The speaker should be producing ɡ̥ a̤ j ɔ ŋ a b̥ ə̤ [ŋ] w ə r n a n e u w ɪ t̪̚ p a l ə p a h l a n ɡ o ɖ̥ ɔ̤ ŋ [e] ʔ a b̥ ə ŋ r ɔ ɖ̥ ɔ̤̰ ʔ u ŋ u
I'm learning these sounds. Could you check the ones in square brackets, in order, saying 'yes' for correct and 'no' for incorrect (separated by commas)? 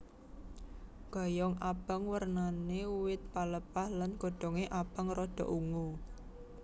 yes, yes